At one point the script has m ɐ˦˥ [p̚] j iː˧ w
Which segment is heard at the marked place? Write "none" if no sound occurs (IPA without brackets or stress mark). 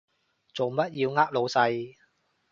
t̚